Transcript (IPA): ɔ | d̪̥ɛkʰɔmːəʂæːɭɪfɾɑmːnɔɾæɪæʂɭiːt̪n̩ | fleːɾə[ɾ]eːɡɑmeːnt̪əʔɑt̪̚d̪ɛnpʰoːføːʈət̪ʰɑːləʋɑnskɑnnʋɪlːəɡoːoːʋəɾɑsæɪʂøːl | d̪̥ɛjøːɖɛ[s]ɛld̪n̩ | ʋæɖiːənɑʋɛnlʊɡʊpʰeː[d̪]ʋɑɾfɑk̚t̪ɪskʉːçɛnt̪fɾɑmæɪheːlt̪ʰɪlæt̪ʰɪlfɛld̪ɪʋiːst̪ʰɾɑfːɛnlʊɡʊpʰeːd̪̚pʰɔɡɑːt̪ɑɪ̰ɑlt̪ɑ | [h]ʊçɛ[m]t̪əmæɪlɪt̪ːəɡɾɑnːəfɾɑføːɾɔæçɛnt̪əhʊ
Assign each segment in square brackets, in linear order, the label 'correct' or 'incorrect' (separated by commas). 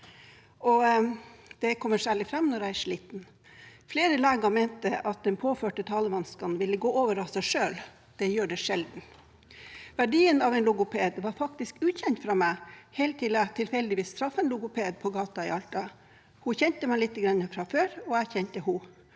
incorrect, incorrect, correct, correct, incorrect